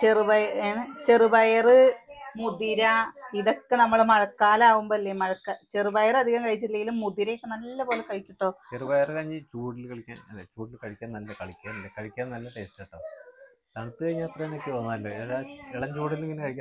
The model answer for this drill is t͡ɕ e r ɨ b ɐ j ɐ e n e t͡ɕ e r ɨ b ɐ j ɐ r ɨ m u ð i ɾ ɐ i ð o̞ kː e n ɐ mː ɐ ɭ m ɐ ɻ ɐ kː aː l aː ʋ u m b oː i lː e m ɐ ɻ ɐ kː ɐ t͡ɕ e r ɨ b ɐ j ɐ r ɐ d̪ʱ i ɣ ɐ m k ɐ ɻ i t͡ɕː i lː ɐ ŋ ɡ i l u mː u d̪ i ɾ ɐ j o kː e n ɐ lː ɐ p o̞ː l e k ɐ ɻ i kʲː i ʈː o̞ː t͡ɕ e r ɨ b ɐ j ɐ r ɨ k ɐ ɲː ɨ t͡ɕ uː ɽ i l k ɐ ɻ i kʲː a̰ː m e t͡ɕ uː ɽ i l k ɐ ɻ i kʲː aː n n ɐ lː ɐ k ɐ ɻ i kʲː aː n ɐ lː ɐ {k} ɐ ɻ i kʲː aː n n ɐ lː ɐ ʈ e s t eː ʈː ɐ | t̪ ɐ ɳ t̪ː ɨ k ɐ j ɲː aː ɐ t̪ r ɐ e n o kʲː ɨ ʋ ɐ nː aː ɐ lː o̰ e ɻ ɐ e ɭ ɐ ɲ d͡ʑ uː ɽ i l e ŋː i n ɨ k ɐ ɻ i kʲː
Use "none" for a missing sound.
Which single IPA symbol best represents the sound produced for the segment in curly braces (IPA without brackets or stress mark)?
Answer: k